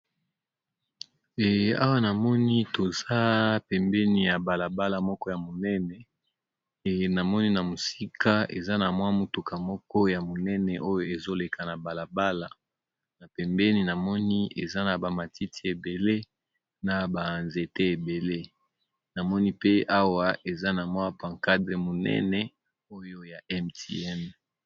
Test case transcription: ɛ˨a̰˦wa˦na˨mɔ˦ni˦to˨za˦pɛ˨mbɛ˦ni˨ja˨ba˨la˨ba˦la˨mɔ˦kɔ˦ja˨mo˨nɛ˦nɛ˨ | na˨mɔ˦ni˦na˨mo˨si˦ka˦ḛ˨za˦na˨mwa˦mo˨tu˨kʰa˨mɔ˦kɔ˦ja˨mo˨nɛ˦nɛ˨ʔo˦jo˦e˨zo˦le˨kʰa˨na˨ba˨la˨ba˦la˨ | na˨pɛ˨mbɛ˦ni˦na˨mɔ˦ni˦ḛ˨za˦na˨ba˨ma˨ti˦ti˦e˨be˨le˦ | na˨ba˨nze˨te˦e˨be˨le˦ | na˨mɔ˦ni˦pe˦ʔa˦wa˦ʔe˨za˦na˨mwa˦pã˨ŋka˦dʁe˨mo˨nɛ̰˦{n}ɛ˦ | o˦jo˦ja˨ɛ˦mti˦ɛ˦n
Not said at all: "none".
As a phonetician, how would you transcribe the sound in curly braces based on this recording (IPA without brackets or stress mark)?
n